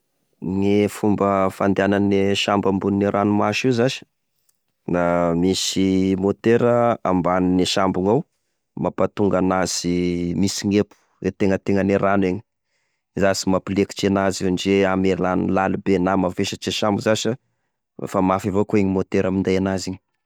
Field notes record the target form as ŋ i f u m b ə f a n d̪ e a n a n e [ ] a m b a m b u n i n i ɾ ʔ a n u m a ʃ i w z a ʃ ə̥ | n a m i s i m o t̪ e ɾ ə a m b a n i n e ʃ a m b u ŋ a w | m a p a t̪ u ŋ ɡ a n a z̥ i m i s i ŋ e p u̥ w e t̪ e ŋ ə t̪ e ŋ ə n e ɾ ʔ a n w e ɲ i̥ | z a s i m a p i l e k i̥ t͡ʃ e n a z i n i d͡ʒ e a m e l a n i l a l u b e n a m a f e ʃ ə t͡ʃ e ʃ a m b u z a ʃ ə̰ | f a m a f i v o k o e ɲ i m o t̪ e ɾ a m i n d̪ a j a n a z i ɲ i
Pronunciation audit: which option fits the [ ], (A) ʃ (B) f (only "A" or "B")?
A